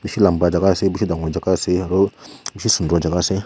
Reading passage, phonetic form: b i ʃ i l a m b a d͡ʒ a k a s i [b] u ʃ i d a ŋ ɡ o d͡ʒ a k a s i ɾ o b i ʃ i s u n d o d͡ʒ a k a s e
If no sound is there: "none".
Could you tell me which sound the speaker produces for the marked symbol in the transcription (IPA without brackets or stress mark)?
b